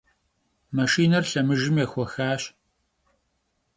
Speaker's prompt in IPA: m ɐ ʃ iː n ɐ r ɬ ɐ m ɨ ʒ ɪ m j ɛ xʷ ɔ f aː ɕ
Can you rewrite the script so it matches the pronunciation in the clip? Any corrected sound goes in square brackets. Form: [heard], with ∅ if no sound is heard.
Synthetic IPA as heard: m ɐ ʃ iː n ɐ r ɬ ɐ m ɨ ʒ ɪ m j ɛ xʷ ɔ [x] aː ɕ